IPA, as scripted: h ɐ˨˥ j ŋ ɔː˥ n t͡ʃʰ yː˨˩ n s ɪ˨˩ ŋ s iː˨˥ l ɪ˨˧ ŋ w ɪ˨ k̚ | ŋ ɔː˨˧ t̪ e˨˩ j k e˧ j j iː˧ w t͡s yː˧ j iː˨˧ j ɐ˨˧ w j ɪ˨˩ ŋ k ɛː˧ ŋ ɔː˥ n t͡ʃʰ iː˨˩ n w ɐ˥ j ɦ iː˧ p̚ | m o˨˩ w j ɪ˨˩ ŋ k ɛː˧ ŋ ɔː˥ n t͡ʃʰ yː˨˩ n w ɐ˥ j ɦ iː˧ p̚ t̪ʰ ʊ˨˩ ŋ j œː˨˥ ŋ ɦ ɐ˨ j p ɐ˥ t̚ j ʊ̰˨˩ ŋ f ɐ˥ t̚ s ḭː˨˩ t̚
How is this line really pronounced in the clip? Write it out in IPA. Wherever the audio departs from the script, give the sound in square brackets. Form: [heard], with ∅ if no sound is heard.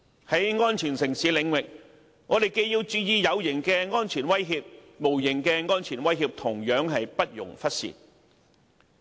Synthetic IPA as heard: h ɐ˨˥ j ŋ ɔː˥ n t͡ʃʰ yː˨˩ n s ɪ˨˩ ŋ s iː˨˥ l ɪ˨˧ ŋ w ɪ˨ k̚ | ŋ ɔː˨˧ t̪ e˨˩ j k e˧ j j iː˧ w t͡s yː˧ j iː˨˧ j ɐ˨˧ w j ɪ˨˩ ŋ k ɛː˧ ŋ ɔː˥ n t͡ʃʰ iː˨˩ n w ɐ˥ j ɦ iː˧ p̚ | m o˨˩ w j ɪ˨˩ ŋ k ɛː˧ ŋ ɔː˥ n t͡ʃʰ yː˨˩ n w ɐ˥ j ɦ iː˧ p̚ t̪ʰ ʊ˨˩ ŋ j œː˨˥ ŋ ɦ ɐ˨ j p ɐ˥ t̚ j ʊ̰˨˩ ŋ f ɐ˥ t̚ s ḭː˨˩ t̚